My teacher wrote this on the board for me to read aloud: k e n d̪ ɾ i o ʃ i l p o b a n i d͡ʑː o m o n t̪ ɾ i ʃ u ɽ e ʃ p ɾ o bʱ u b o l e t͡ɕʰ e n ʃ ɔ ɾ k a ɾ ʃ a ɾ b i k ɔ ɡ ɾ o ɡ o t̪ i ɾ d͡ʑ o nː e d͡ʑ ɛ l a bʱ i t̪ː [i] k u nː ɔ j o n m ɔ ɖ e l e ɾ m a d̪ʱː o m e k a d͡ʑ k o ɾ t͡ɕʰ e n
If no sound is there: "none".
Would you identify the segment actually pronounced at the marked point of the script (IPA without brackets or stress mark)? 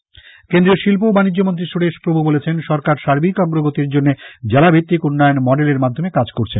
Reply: i